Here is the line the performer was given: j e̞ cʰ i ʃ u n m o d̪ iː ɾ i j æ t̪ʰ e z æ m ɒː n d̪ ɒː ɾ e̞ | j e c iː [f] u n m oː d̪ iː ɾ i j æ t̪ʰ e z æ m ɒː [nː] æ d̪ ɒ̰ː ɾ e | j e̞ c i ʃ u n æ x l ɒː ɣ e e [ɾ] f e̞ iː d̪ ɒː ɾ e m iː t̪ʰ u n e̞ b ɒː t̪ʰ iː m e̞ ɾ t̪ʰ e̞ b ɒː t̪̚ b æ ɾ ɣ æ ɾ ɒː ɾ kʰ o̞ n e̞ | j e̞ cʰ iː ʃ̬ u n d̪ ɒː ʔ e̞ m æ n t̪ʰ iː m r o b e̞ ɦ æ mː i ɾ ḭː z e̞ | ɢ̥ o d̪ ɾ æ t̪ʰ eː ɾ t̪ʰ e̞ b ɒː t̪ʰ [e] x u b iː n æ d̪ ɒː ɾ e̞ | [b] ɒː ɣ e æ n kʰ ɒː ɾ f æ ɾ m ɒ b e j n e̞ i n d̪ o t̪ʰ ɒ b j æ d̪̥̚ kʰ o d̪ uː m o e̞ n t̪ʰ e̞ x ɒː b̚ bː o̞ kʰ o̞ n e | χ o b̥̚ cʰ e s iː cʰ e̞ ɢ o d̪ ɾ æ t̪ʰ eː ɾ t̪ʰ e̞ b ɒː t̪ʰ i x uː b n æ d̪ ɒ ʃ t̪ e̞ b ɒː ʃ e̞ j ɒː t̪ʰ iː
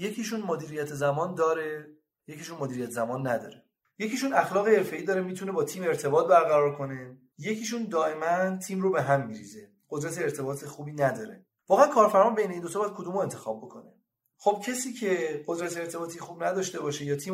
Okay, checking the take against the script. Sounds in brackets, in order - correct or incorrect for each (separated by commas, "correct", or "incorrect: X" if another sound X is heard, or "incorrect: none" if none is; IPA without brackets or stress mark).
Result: incorrect: ʃ, correct, correct, correct, incorrect: v